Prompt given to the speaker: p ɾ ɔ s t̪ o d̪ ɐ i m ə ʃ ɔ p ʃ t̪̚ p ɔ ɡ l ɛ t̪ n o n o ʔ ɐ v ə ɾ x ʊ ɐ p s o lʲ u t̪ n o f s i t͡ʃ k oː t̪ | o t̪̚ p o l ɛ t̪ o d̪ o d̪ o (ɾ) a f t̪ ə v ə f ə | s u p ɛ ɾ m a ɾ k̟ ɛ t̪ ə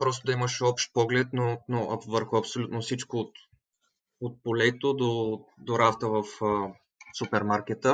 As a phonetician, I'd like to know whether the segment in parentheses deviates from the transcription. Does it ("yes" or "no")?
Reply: no